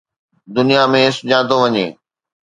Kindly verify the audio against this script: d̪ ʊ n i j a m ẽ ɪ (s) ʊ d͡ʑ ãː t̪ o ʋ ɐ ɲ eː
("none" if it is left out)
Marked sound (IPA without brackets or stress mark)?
s